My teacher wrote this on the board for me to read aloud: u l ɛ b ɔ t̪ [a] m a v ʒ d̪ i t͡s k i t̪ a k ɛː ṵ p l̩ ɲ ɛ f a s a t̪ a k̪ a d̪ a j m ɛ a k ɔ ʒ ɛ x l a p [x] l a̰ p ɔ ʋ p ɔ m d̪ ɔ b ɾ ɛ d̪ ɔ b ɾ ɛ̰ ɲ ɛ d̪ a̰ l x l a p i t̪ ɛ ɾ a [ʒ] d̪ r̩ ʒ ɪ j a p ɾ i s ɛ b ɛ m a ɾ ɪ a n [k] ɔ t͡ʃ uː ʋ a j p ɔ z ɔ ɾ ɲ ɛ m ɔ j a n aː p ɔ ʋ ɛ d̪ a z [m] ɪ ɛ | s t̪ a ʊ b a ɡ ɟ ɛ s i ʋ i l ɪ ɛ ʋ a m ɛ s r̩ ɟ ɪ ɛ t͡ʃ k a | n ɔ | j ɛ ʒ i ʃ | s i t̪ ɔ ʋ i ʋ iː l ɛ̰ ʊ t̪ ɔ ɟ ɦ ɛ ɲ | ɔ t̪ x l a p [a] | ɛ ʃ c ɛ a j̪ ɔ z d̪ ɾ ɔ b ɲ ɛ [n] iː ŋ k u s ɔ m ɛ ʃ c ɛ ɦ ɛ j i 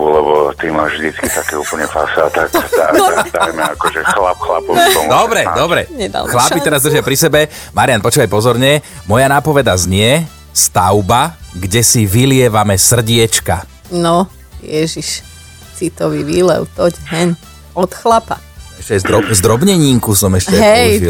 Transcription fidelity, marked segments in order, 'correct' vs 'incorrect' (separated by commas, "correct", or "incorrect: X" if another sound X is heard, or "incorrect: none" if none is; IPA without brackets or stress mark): incorrect: i, correct, incorrect: z, incorrect: p, incorrect: ɲ, correct, incorrect: ɲ